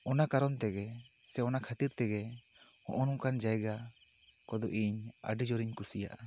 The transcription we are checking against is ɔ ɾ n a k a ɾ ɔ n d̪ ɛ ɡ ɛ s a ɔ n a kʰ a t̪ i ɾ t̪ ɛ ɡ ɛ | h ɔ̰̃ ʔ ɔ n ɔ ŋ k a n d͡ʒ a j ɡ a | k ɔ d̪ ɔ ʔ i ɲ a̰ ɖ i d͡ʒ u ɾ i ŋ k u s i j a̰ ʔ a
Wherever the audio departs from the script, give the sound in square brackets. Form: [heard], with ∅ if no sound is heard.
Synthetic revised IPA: ɔ [∅] n a k a ɾ ɔ n [t̪] ɛ ɡ ɛ s [ɛ] ɔ n a kʰ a t̪ i ɾ t̪ ɛ ɡ ɛ | h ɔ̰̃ ʔ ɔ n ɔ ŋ k a n d͡ʒ a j ɡ a | k ɔ d̪ ɔ ʔ i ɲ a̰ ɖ i d͡ʒ [ɔ] ɾ i [ɲ] k u s i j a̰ ʔ a